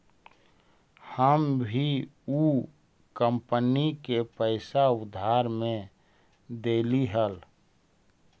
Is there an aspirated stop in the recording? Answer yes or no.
no